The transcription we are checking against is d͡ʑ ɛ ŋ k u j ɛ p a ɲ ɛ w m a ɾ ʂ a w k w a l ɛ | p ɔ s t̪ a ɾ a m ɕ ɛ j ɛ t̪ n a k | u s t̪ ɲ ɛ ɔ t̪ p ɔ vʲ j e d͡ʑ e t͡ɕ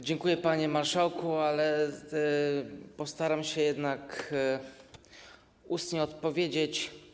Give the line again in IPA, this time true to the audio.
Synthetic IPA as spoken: d͡ʑ ɛ ŋ k u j ɛ p a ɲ ɛ m a ɾ ʂ a w k u a l ɛ | p ɔ s t̪ a ɾ a m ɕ ɛ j ɛ d̪ n a k | u s t̪ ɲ ɛ ɔ t̪ p ɔ vʲ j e d͡ʑ e t͡ɕ